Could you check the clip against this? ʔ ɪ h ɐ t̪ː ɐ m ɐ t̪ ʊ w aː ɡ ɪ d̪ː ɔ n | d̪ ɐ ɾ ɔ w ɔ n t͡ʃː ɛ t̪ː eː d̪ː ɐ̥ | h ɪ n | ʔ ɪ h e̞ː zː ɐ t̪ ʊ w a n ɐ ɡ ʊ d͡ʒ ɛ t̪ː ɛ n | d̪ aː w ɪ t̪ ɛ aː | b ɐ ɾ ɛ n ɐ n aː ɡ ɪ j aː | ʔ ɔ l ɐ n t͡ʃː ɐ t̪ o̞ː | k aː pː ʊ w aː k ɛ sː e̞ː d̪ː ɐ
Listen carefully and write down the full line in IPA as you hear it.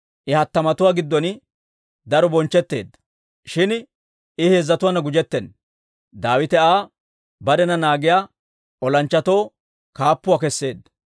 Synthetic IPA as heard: ʔ ɪ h ɐ t̪ː ɐ m ɐ t̪ ʊ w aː ɡ ɪ d̪ː ɔ n | d̪ ɐ ɾ ɔ b ɔ n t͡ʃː ɛ t̪ː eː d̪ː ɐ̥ | ʃ ɪ n | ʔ ɪ h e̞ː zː ɐ t̪ ʊ w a n ɐ ɡ ʊ d͡ʒ ɛ t̪ː ɛ n | d̪ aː w ɪ t̪ ɛ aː | b ɐ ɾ ɛ n ɐ n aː ɡ ɪ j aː | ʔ ɔ l ɐ n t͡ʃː ɐ t̪ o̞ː | k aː pː ʊ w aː k ɛ sː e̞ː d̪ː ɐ